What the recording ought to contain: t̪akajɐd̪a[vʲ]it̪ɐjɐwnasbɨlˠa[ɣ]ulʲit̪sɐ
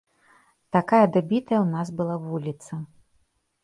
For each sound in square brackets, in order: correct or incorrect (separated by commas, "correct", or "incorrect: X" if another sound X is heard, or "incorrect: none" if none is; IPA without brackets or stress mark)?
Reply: incorrect: bʲ, incorrect: v